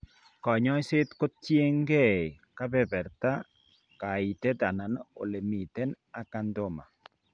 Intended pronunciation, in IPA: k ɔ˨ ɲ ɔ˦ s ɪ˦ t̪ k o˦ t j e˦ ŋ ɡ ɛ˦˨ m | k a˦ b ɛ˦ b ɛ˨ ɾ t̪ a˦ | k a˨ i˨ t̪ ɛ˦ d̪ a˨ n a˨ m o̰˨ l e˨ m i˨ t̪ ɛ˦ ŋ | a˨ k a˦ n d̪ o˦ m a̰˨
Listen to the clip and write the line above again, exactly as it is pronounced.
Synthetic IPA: k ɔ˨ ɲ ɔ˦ s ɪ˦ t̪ k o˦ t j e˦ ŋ ɡ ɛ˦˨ | k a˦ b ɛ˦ b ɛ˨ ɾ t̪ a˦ | k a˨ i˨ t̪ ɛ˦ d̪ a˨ n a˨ n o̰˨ l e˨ m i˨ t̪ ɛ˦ n | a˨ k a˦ n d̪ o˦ m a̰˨